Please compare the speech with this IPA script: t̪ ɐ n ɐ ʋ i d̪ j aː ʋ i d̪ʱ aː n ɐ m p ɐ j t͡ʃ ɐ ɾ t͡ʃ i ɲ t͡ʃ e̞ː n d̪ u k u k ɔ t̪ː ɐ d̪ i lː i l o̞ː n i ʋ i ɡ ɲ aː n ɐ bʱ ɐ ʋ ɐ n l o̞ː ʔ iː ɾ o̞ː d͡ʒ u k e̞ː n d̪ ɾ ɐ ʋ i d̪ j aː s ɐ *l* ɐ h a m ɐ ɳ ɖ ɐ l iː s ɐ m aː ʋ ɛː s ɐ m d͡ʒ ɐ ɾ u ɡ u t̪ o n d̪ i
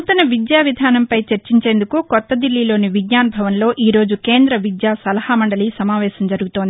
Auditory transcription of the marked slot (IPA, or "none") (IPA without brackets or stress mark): l